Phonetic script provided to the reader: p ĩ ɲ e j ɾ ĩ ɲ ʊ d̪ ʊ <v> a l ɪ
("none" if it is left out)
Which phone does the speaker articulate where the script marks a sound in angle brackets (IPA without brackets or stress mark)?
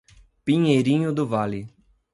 v